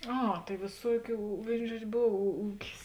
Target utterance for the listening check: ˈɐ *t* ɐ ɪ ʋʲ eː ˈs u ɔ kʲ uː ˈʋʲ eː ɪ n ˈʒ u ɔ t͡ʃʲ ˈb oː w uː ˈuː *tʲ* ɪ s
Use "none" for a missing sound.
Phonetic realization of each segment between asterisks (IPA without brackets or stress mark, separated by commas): t, kʲ